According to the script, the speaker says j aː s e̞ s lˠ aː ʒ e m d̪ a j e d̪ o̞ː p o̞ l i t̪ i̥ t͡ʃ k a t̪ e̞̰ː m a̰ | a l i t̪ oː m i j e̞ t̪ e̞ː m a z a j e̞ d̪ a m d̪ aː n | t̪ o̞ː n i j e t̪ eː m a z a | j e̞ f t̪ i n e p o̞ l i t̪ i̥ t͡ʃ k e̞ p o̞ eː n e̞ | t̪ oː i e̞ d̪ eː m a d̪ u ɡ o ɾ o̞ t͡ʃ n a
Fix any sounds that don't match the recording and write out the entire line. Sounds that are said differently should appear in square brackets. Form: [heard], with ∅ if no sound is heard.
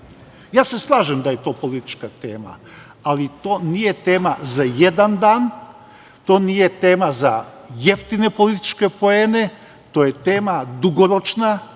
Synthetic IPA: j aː s e̞ s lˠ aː ʒ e m d̪ a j e [t̪] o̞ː p o̞ l i t̪ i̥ t͡ʃ k a t̪ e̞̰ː m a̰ | a l i t̪ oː [n] i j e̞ t̪ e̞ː m a z a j e̞ d̪ a [n] d̪ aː n | t̪ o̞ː n i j e t̪ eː m a z a | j e̞ f t̪ i n e p o̞ l i t̪ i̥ t͡ʃ k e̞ p o̞ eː n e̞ | t̪ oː [j] e̞ [t̪] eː m a d̪ u ɡ o ɾ o̞ t͡ʃ n a

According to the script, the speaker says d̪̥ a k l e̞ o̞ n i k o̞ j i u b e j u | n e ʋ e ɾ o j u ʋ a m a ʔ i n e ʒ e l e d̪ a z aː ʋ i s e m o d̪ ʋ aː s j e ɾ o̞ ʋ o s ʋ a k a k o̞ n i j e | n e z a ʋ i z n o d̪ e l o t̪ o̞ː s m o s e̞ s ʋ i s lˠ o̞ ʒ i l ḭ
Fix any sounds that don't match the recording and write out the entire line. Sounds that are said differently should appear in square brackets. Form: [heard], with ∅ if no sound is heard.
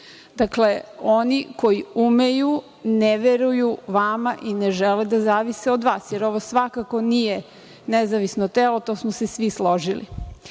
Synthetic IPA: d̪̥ a k l e̞ o̞ n i k o̞ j i u [m] e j u | n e ʋ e ɾ [u] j u ʋ a m a ʔ i n e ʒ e l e d̪ a z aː ʋ i s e [∅] o d̪ ʋ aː s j e ɾ o̞ ʋ o s ʋ a k a k o̞ n i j e | n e z a ʋ i [s] n o [t̪] e l o t̪ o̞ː s m o s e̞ s ʋ i s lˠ o̞ ʒ i l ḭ

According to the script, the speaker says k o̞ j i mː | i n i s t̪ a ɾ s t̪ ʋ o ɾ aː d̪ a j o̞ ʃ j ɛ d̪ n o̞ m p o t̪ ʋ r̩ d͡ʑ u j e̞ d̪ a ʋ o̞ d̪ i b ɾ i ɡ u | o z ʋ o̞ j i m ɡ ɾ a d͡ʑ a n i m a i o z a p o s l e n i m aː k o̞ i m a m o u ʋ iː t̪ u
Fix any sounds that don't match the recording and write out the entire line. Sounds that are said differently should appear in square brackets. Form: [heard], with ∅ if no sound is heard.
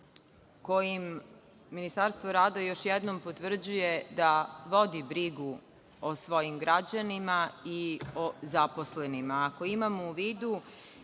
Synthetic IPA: k o̞ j i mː | i n i s t̪ a ɾ s t̪ ʋ o ɾ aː d̪ a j o̞ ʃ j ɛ d̪ n o̞ m p o t̪ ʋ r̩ d͡ʑ u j e̞ d̪ a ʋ o̞ d̪ i b ɾ i ɡ u | o [s] ʋ o̞ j i m ɡ ɾ a d͡ʑ a n i m a i o z a p o s l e n i m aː k o̞ i m a m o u ʋ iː [d̪] u

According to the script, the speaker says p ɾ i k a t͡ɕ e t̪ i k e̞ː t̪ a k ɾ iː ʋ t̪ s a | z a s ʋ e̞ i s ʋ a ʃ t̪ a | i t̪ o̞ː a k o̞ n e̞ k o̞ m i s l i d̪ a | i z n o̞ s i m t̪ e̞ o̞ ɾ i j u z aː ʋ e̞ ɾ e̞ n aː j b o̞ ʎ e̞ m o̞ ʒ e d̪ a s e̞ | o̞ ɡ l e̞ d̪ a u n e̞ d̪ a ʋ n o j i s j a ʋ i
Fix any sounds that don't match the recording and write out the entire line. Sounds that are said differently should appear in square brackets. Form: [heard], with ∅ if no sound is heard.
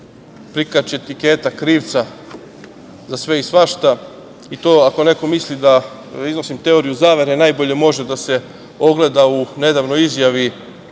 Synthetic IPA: p ɾ i k a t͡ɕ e t̪ i k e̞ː t̪ a k ɾ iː ʋ t̪ s a | z a s ʋ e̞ i s ʋ a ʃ t̪ a | i t̪ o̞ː a k o̞ n e̞ k o̞ m i s l i d̪ a | i z n o̞ s i m t̪ e̞ o̞ ɾ i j u z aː ʋ e̞ ɾ e̞ n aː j b o̞ ʎ e̞ m o̞ ʒ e d̪ a s e̞ | o̞ ɡ l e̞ d̪ a u n e̞ d̪ a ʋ n o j i [z] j a ʋ i

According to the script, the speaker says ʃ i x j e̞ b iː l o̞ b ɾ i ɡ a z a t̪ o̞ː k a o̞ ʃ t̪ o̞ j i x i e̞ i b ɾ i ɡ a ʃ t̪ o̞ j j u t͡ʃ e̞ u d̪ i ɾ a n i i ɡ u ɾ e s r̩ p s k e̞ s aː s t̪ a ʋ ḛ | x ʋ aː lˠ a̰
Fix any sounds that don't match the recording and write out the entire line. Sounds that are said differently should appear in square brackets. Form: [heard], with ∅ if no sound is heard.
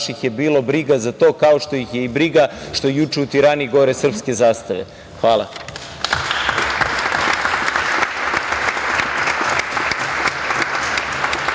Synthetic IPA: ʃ i x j e̞ b iː l o̞ b ɾ i ɡ a z a t̪ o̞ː k a o̞ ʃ t̪ o̞ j i x [j] e̞ i b ɾ i ɡ a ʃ t̪ o̞ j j u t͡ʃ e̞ u [t̪] i ɾ a n i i ɡ [o] ɾ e s r̩ p s k e̞ [z] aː s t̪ a ʋ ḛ | x ʋ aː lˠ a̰

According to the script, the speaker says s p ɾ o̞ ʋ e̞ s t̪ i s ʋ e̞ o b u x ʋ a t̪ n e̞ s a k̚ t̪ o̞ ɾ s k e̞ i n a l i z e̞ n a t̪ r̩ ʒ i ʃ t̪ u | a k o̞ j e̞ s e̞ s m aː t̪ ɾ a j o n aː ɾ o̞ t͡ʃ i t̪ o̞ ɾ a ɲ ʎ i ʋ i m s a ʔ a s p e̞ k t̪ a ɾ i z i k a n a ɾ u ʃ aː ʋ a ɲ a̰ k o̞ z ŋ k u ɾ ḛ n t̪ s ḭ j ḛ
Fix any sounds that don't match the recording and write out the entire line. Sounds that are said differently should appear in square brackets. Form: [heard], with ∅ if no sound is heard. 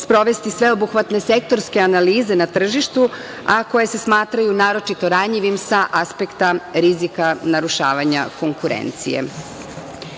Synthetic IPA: s p ɾ o̞ ʋ e̞ s t̪ i s ʋ e̞ o b u x ʋ a t̪ n e̞ s [e] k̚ t̪ o̞ ɾ s k e̞ [a] n a l [iː] z e̞ n a t̪ r̩ ʒ i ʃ t̪ u | a k o̞ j e̞ s e̞ s m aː t̪ ɾ a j [u] n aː ɾ o̞ t͡ʃ i t̪ o̞ ɾ a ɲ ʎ i ʋ i m s a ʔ a s p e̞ k t̪ a ɾ i z i k a n a ɾ u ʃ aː ʋ a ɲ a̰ k o̞ [∅] ŋ k u ɾ ḛ n t̪ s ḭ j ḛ

